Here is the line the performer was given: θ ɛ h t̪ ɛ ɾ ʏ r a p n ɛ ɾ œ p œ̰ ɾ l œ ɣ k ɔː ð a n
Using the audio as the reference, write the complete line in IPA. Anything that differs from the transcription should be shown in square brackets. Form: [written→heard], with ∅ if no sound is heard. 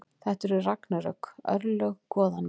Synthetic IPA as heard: θ ɛ h t̪ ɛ ɾ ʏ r a [p→k] n [ɛ→a] ɾ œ [p→k] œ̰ ɾ l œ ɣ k ɔː ð a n